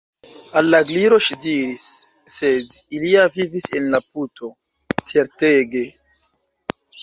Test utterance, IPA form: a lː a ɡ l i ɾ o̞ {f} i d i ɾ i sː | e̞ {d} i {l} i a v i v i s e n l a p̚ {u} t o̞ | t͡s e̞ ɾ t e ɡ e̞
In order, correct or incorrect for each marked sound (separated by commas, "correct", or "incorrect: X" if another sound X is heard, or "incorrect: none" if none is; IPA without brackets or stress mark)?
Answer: incorrect: ʃ, correct, correct, correct